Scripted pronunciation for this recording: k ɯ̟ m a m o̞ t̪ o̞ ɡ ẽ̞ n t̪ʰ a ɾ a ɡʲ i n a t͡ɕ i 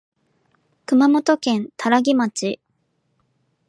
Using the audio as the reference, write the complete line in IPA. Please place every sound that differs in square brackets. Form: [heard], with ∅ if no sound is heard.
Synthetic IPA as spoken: k ɯ̟ m a m o̞ t̪ o̞ [k] ẽ̞ n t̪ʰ a ɾ a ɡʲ i [m] a t͡ɕ i